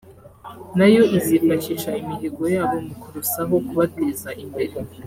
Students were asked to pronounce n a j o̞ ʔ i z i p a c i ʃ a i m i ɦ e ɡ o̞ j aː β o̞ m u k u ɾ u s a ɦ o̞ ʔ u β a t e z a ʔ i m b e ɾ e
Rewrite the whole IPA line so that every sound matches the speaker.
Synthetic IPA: n a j o̞ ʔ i z i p a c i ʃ a i m i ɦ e ɡ o̞ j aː β o̞ m u k u ɾ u s a ɦ o̞ k u β a t e z a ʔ i m b e ɾ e